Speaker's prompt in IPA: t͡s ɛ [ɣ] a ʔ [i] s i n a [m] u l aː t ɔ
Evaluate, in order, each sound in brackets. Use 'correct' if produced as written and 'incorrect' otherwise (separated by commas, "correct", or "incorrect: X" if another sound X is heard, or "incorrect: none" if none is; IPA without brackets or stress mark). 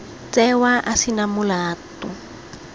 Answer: incorrect: w, incorrect: a, correct